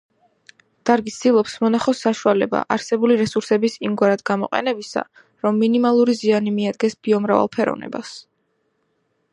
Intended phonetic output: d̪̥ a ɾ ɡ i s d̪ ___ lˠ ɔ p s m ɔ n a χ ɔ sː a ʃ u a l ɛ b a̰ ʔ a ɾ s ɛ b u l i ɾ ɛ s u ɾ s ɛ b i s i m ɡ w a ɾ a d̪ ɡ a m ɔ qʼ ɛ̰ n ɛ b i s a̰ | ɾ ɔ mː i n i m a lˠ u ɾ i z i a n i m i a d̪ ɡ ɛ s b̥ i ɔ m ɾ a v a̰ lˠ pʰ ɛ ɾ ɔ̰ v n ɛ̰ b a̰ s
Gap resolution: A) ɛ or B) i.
B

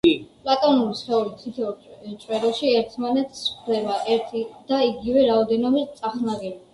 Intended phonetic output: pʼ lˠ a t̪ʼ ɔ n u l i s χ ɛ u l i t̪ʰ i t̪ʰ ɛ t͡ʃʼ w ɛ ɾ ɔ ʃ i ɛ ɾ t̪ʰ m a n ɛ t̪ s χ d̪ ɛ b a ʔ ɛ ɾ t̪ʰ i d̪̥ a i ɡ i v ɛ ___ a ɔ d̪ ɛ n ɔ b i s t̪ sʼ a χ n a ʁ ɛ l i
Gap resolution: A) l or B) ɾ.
B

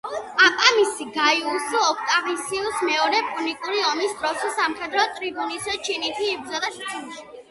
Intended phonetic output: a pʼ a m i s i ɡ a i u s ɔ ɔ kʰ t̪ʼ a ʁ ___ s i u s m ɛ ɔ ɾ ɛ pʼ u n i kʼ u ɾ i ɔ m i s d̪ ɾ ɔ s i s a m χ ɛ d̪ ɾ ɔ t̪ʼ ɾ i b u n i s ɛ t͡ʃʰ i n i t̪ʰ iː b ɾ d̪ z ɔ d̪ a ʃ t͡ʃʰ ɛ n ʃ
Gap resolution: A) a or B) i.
B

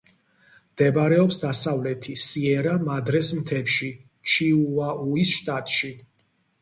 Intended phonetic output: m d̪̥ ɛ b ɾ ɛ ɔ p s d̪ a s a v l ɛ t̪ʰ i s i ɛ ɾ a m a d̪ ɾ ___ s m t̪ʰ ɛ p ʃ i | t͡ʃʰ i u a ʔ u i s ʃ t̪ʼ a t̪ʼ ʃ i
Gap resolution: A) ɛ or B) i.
A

